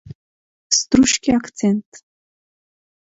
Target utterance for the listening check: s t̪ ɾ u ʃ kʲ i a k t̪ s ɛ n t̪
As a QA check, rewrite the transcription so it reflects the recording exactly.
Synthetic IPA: s t̪ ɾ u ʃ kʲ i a k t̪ s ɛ n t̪